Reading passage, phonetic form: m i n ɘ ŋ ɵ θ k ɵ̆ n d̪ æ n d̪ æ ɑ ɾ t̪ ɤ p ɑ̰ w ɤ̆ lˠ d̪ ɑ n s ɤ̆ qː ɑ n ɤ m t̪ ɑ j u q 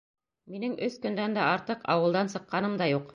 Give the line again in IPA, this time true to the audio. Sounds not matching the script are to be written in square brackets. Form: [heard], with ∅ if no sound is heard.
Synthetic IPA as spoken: m i n ɘ ŋ ɵ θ k ɵ̆ n d̪ æ n d̪ æ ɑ ɾ t̪ ɤ [q] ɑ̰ w ɤ̆ lˠ d̪ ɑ n s ɤ̆ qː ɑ n ɤ m [d̪] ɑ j u q